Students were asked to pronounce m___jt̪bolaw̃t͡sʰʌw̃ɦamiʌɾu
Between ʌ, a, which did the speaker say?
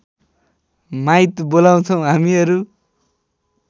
a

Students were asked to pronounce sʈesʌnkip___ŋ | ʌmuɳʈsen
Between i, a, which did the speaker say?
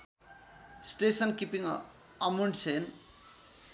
i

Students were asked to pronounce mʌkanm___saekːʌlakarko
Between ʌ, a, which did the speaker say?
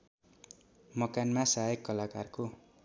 a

